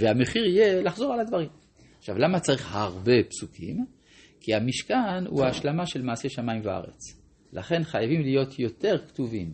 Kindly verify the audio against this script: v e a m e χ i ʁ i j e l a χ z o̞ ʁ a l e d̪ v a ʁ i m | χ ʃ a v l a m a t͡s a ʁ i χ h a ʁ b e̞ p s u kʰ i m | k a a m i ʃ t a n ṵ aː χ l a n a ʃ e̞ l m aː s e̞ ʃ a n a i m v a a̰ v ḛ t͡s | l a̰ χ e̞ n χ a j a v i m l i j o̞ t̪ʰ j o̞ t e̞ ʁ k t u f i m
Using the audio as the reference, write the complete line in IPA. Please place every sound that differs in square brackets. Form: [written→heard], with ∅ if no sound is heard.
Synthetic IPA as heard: v e a m e χ i ʁ i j e l a χ z o̞ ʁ a l [e→a] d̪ v a ʁ i m | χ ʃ a v l a m a t͡s a ʁ i χ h a ʁ b e̞ p s u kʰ i m | k [a→i] a m i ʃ [t→k] a n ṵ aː [χ→ʃ] l a [n→m] a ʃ e̞ l m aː s e̞ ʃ a [n→m] a i m v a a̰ [v→ʁ] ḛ t͡s | l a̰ χ e̞ n χ a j a v i m l i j o̞ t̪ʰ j o̞ t e̞ ʁ k t u [f→v] i m